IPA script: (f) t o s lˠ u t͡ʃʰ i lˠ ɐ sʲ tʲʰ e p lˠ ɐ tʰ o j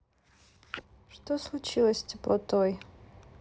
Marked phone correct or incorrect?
incorrect